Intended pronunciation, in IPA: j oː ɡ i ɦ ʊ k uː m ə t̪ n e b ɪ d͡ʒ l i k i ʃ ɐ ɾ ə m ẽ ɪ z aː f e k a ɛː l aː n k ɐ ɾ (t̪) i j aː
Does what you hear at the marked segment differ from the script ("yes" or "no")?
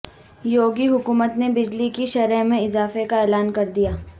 yes